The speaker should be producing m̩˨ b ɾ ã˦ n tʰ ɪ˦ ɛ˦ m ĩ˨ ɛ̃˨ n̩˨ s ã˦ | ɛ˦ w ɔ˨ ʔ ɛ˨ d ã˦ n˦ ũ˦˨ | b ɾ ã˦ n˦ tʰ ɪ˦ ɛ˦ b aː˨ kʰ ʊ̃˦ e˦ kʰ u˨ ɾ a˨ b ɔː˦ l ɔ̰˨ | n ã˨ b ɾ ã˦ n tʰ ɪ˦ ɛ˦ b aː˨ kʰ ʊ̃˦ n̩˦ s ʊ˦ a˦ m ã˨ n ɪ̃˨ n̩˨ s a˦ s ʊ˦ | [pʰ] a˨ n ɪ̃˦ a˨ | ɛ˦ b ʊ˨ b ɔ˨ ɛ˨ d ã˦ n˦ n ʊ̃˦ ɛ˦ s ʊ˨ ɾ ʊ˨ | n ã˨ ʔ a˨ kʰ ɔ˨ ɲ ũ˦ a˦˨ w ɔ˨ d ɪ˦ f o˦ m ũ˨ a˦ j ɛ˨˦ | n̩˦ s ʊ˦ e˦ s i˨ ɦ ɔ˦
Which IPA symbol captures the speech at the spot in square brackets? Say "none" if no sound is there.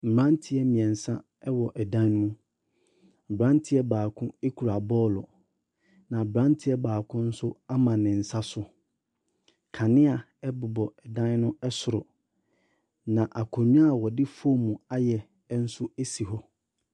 kʰ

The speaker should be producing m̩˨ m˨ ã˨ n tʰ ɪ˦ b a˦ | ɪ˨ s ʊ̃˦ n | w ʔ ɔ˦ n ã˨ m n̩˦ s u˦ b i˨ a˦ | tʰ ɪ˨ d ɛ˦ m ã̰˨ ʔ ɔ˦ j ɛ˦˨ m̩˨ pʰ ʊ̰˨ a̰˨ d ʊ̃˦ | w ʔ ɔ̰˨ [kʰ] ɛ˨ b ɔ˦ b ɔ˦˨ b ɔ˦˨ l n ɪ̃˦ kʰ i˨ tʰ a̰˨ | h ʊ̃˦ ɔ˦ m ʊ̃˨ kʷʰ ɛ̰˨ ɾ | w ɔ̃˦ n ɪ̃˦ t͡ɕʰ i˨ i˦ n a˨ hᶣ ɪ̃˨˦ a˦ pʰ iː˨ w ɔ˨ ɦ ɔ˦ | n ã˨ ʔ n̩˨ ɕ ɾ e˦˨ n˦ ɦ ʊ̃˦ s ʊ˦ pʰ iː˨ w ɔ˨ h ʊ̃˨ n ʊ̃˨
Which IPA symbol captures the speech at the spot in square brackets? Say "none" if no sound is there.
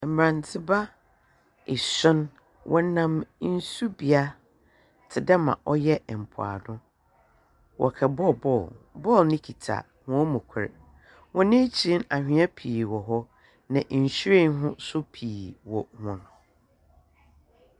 kʰ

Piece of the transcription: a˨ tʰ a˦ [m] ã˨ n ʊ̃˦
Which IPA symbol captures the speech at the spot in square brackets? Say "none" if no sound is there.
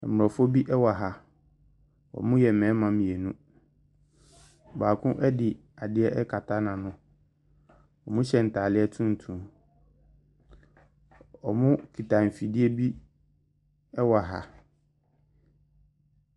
n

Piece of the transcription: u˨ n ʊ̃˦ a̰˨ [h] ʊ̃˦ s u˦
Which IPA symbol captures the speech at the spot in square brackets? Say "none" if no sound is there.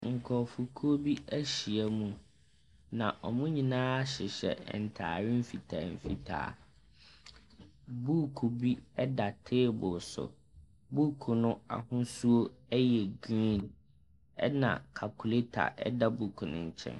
h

